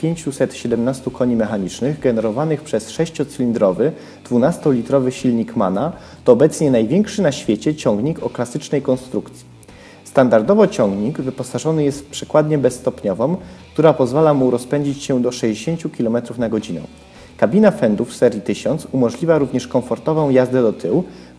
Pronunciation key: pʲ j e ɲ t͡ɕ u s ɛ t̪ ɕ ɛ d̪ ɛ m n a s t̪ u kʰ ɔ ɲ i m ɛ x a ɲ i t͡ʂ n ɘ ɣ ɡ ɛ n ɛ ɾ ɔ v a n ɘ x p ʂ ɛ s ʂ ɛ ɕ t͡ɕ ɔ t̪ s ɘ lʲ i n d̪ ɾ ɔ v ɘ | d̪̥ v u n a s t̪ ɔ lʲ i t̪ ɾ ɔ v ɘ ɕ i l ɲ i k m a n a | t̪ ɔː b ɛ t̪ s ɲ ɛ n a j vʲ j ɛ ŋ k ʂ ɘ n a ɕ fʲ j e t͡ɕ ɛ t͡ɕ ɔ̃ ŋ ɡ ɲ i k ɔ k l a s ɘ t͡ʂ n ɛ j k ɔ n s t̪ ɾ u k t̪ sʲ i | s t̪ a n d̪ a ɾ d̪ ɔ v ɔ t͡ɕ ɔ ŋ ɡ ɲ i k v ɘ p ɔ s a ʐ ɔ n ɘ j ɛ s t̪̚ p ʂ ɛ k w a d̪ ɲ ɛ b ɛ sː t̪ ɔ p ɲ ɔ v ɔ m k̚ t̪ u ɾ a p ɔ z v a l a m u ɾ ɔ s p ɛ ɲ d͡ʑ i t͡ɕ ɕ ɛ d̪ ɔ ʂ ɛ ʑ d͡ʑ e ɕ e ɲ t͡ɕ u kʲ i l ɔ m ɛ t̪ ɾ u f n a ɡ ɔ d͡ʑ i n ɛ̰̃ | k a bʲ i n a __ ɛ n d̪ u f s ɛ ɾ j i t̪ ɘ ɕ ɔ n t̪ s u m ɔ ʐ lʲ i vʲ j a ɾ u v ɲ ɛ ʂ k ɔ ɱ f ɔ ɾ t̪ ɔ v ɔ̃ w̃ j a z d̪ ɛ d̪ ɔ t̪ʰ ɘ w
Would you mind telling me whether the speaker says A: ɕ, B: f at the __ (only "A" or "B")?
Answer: B